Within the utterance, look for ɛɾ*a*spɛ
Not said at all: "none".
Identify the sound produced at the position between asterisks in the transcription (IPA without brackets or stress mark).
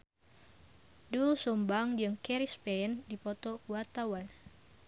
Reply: i